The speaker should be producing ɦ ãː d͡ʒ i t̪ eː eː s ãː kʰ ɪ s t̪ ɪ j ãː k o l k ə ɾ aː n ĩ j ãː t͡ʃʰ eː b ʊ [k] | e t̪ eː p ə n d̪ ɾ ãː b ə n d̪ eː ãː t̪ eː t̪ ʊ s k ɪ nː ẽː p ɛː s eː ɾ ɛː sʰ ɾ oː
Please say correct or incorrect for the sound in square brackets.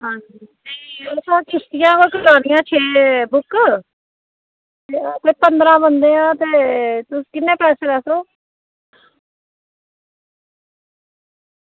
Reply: correct